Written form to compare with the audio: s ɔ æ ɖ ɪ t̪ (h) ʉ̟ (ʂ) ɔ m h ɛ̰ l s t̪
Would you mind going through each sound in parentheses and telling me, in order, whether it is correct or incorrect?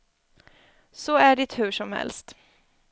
correct, correct

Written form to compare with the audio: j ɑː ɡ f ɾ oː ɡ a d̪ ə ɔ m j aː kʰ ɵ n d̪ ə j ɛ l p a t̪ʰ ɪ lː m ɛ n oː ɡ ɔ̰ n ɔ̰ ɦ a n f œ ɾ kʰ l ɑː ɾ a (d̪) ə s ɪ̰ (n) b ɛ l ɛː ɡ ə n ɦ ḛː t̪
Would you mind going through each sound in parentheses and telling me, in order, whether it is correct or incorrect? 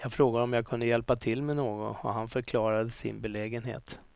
correct, correct

